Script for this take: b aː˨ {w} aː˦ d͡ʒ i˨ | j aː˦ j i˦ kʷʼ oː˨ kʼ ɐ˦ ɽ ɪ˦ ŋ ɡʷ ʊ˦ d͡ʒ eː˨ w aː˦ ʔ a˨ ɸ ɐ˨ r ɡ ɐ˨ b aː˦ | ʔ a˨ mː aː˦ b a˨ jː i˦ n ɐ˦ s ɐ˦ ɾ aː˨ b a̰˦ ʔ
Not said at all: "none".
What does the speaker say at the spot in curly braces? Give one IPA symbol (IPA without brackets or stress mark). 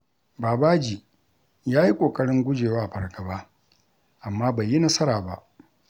b